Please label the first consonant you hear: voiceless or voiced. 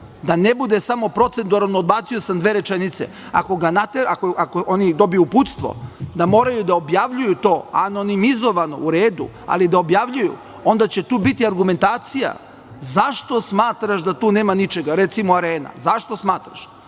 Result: voiced